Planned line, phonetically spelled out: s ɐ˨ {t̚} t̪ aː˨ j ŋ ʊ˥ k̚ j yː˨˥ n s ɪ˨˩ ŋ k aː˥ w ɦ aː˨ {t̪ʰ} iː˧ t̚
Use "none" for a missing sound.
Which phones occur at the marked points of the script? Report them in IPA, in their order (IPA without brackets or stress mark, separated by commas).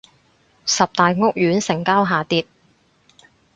p̚, t̪